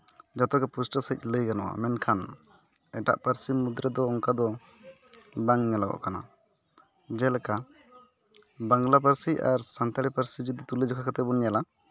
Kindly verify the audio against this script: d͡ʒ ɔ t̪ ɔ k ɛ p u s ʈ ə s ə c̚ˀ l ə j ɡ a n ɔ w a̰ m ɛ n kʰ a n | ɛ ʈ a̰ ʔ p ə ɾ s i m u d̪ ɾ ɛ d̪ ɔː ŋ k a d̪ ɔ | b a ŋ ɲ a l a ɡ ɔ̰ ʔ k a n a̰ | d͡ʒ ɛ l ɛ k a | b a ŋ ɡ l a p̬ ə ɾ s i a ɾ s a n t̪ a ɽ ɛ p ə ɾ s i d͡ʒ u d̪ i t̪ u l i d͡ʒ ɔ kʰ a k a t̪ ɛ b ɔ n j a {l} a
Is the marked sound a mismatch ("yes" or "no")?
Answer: no